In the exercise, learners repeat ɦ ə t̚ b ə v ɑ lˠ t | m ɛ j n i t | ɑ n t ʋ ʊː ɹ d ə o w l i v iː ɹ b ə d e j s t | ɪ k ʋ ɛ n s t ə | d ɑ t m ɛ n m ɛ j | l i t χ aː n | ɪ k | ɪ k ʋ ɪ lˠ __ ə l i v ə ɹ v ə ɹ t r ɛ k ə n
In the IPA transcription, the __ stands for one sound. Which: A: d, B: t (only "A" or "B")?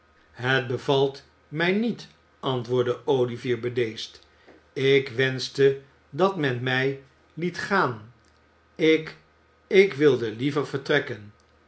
A